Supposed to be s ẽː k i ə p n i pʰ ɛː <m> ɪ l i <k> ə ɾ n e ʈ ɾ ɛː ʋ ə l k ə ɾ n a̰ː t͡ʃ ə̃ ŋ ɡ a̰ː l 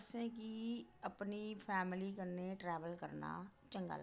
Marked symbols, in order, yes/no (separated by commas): yes, yes